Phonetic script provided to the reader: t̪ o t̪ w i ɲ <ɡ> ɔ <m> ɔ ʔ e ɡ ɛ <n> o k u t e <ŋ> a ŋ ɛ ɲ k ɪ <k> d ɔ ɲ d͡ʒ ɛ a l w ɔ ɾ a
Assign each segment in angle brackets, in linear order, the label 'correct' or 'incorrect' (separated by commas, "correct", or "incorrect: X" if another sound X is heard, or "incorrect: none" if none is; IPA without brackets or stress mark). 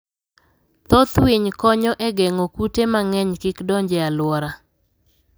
incorrect: k, incorrect: ɲ, incorrect: ŋ, incorrect: m, correct